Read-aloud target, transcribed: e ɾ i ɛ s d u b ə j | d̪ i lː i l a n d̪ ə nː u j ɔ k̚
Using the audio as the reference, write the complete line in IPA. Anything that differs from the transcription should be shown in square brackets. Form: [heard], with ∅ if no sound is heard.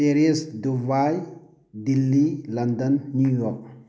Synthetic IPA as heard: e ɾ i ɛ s d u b [a] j | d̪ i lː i l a n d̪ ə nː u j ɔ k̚